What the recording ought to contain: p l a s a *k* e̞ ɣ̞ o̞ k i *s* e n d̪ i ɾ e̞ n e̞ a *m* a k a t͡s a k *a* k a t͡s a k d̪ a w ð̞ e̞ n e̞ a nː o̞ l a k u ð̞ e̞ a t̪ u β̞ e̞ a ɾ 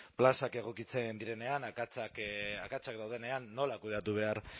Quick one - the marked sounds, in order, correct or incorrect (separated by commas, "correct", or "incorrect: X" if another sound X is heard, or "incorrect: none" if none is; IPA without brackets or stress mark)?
correct, incorrect: t͡s, incorrect: n, correct